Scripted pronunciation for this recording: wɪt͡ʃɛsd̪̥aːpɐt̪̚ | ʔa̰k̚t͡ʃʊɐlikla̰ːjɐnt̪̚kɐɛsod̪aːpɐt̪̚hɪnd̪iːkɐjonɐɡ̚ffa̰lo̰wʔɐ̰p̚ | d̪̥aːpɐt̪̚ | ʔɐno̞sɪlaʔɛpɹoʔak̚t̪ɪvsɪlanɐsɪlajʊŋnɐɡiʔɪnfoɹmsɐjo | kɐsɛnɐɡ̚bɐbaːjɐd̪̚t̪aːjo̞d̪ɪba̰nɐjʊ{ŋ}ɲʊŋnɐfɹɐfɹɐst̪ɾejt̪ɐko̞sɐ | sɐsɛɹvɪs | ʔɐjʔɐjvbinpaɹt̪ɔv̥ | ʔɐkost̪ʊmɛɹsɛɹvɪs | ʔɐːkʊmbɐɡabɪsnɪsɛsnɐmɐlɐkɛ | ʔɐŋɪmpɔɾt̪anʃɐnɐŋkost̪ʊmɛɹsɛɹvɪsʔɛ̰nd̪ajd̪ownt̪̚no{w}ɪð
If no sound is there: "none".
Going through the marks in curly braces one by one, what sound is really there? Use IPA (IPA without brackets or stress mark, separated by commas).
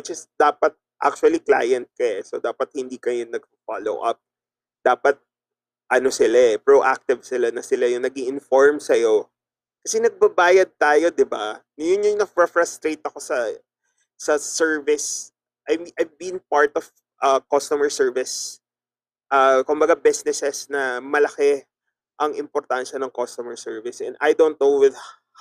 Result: n, w